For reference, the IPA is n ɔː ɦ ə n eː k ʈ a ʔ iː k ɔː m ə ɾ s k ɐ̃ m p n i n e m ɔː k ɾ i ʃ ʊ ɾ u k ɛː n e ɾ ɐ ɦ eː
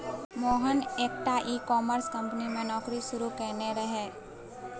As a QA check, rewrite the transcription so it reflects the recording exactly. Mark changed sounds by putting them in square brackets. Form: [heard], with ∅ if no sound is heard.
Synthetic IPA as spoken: [m] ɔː ɦ ə n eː k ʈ a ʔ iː k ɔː m ə ɾ s k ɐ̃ m p n i [m] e [n] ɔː k ɾ i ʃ ʊ ɾ u k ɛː n e ɾ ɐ ɦ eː